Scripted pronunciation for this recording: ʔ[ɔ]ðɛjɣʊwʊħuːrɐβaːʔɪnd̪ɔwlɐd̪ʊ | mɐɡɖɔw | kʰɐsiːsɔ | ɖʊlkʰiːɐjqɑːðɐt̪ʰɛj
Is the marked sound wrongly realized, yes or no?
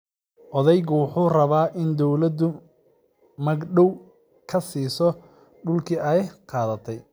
no